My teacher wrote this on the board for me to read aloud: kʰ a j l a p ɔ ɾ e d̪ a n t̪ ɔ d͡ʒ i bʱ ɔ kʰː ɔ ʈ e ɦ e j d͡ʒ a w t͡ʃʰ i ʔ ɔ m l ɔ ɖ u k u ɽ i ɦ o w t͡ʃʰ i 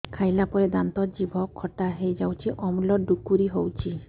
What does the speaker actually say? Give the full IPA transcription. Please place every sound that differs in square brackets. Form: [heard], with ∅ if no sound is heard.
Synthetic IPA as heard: kʰ a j l a p ɔ ɾ e d̪ a n t̪ ɔ d͡ʒ i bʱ ɔ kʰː ɔ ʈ [a] ɦ e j d͡ʒ a w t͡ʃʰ i ʔ ɔ m l ɔ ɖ u k u [ɾ] i ɦ o w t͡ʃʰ i